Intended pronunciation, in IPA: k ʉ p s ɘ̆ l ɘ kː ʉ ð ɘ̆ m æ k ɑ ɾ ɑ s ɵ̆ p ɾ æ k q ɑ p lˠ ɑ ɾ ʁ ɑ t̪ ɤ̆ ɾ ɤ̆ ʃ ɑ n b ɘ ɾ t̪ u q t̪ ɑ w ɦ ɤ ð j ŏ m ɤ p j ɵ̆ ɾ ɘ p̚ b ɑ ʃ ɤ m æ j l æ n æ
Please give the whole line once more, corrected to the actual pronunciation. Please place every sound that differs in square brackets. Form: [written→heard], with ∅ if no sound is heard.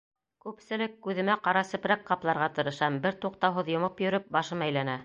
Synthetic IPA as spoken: k ʉ p s ɘ̆ l ɘ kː ʉ ð ɘ̆ m æ [k→q] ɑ ɾ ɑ s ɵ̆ p ɾ æ k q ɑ p lˠ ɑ ɾ ʁ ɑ t̪ ɤ̆ ɾ ɤ̆ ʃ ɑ [n→m] b ɘ ɾ t̪ u q t̪ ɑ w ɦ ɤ ð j ŏ m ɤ p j ɵ̆ ɾ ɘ p̚ b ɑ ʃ ɤ m æ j l æ n æ